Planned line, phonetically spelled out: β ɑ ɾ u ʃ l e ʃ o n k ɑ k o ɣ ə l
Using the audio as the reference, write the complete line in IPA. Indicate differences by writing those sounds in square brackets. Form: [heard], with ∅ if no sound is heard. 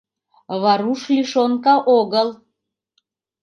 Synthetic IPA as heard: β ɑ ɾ u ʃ l [i] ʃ o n k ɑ [ʔ] o ɣ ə l